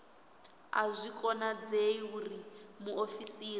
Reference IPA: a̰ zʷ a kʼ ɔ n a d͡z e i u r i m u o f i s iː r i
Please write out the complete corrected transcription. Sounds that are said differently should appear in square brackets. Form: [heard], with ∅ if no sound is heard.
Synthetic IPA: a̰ zʷ [i] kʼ ɔ n a d͡z e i u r i m u o f i s iː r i